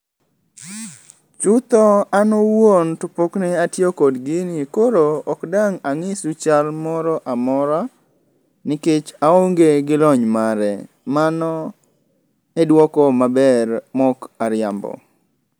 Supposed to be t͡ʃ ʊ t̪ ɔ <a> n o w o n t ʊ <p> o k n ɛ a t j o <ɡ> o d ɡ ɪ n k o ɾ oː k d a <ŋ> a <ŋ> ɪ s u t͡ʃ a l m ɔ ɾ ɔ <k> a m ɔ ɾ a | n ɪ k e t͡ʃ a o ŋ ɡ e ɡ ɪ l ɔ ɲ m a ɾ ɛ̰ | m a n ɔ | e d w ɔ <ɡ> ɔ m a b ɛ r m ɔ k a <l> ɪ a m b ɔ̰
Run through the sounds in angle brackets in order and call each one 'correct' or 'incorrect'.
correct, correct, incorrect: k, correct, correct, incorrect: ʔ, incorrect: k, incorrect: ɾ

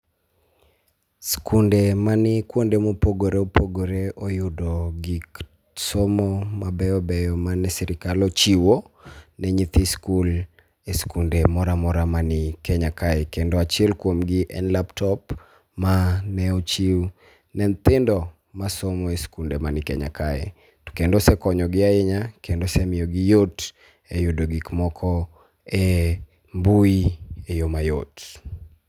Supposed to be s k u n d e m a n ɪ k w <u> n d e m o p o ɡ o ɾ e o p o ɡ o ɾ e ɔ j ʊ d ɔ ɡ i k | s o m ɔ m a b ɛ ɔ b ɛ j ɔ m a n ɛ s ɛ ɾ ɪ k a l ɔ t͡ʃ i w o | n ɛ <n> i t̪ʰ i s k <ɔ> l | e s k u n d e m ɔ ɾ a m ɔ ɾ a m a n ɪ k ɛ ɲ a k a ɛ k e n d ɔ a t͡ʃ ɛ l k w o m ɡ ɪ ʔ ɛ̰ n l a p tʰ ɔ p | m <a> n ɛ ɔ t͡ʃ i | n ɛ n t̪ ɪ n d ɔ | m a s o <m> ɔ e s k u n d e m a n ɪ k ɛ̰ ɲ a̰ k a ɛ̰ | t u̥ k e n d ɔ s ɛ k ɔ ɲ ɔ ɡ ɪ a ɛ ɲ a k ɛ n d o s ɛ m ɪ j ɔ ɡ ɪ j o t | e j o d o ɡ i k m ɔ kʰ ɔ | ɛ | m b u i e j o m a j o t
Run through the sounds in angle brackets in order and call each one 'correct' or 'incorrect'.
incorrect: o, incorrect: ɲ, incorrect: u, correct, correct

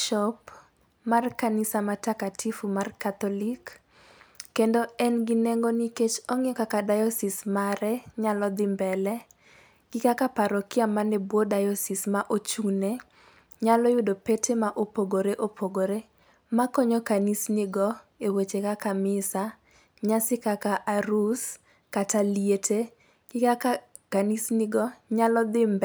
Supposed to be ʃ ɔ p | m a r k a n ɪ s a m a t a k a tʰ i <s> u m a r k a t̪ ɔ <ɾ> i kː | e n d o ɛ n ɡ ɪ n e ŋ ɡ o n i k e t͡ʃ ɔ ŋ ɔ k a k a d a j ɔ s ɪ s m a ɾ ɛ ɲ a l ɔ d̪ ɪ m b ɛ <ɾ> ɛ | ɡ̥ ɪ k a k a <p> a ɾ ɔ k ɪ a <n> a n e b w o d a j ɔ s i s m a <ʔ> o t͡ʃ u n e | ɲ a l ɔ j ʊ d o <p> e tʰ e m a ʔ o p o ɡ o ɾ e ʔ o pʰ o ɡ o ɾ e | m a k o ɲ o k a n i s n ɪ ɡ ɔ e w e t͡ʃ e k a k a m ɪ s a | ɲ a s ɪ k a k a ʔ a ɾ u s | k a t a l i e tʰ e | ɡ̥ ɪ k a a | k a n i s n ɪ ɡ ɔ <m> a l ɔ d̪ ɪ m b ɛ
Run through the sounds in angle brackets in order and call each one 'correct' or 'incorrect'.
incorrect: f, incorrect: l, incorrect: l, correct, incorrect: m, correct, correct, incorrect: ɲ

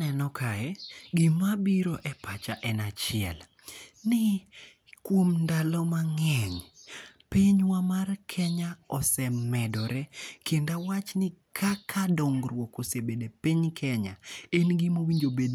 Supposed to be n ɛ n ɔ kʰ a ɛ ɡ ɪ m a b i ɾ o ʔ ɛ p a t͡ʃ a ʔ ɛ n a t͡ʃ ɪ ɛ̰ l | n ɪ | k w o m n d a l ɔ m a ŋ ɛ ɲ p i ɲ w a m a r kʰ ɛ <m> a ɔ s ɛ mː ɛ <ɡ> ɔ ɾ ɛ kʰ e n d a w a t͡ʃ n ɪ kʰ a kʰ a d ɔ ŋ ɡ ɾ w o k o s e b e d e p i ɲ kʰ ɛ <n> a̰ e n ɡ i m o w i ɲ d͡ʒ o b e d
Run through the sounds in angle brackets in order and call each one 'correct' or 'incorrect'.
incorrect: ɲ, incorrect: d, incorrect: ɲ

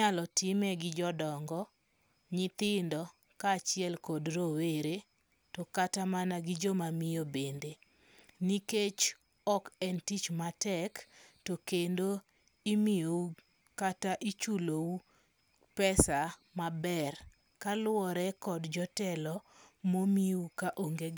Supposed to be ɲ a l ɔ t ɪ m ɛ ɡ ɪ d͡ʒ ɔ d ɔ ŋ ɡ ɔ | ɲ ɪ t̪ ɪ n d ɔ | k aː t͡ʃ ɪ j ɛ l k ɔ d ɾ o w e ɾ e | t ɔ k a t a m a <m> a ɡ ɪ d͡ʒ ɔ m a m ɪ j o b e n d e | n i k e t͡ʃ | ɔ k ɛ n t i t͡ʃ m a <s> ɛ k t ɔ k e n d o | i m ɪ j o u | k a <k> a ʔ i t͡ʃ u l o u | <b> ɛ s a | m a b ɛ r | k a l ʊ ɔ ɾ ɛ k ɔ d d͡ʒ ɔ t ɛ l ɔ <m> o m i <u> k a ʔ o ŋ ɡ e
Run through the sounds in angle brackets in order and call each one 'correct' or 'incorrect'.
incorrect: n, incorrect: t, incorrect: t, incorrect: p, correct, correct

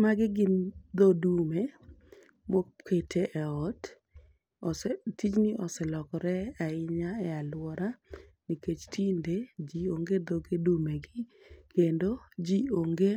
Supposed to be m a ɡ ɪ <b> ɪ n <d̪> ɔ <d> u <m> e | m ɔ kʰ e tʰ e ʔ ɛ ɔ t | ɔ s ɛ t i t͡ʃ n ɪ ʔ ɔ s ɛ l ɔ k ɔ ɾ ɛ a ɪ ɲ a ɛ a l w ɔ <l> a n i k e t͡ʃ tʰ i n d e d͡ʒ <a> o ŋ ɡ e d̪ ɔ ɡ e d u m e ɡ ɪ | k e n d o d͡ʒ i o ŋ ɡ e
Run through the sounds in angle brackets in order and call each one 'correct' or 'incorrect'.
incorrect: ɡ, correct, correct, correct, incorrect: ɾ, incorrect: i

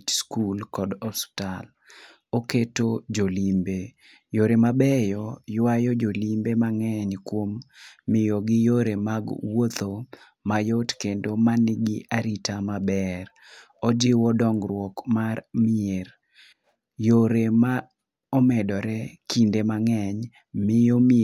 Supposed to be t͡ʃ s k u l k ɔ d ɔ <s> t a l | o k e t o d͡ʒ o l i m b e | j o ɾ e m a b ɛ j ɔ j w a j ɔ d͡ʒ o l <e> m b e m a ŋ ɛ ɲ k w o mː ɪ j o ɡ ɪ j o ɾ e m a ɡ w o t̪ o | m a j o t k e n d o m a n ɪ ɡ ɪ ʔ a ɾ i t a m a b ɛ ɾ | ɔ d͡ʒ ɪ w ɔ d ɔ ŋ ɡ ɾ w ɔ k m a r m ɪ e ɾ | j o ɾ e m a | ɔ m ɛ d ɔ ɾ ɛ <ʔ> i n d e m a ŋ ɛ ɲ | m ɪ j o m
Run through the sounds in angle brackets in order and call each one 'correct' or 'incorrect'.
correct, incorrect: i, incorrect: k

